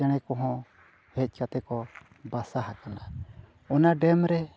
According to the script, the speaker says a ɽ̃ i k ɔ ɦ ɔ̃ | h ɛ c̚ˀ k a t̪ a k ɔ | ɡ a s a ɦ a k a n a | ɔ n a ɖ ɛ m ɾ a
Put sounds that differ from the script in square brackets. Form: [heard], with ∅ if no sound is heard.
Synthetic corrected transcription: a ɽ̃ [ɛ] k ɔ ɦ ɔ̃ | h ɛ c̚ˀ k a t̪ [ɛ] k ɔ | [b] a s a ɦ a k a n a | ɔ n a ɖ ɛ m ɾ [ɛ]